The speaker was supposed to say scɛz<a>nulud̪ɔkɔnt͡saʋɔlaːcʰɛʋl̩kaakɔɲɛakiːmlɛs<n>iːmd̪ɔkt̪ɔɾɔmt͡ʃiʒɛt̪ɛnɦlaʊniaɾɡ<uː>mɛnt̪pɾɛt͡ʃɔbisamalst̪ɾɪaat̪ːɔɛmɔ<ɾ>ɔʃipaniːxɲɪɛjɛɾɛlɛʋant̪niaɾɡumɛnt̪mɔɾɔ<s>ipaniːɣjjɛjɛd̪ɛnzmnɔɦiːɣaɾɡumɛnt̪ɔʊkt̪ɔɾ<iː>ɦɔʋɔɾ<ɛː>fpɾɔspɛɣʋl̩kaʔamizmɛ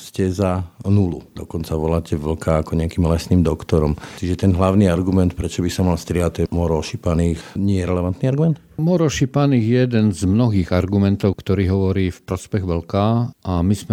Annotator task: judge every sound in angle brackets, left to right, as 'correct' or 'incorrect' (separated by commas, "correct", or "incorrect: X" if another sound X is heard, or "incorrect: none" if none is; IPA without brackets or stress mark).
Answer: correct, correct, incorrect: u, correct, incorrect: ʃ, correct, incorrect: iː